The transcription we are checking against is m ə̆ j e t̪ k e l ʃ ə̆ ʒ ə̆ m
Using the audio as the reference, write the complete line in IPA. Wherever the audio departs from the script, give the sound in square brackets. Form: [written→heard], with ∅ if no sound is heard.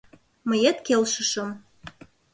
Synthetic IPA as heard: m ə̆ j e t̪ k e l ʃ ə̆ [ʒ→ʃ] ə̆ m

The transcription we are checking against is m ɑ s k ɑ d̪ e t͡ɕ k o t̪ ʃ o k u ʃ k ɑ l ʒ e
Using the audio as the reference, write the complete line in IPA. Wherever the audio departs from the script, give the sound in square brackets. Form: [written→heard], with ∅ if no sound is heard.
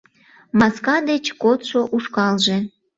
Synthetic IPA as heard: m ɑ s k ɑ d̪ e t͡ɕ k o t̪ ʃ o [k→ʔ] u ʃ k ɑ l ʒ e

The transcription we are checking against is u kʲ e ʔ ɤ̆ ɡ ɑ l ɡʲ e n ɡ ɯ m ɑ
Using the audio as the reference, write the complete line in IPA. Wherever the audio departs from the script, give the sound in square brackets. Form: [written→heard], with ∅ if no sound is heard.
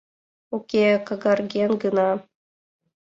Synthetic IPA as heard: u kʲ e [ʔ→k] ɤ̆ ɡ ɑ [l→r] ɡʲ e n ɡ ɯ [m→n] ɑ

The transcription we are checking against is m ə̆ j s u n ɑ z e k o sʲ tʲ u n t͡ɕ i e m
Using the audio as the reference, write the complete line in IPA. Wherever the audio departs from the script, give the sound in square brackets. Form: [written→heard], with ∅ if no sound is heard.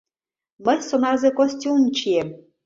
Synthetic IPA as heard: m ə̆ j s [u→o] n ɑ z e k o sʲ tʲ u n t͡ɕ i e m

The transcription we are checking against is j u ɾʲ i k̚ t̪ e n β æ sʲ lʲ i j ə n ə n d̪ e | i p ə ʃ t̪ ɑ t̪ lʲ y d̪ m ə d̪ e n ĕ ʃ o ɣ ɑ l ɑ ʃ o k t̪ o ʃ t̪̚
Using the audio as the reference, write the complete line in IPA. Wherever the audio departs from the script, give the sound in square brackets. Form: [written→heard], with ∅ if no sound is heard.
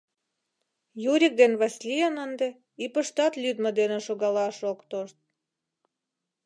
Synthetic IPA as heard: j u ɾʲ i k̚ [t̪→d̪] e n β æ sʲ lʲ i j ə n ə n d̪ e | i p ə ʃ t̪ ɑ t̪ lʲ y d̪ m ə d̪ e n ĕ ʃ o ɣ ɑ l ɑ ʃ o k t̪ o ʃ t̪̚

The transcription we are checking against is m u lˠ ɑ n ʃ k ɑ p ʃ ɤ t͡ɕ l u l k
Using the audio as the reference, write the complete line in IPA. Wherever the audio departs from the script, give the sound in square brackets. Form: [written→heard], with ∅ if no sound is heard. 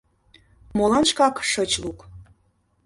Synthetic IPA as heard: m [u→o] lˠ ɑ n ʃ k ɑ [p→k] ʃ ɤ t͡ɕ l u [l→∅] k

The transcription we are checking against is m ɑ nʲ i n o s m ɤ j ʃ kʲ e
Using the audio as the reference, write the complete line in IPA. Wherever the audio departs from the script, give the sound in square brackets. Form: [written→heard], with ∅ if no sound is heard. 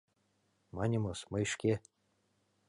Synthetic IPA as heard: m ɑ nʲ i [n→m] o s m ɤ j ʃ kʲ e

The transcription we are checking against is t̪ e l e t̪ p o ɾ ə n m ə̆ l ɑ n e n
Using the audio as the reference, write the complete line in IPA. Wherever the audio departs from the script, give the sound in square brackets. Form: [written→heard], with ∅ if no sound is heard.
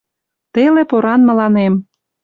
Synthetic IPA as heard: t̪ e l e [t̪→∅] p o ɾ [ə→ɑ] n m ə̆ l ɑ n e [n→m]

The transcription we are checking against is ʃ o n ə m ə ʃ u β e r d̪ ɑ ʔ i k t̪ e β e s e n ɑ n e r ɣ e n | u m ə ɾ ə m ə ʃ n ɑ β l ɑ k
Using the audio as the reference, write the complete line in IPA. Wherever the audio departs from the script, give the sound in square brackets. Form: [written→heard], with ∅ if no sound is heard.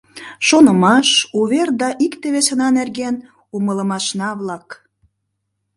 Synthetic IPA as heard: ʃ o n ə m [ə→ɑ] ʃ u β e r d̪ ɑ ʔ i k t̪ e β e s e n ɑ n e r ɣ e n | u m ə [ɾ→l] ə m [ə→ɑ] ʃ n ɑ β l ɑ k

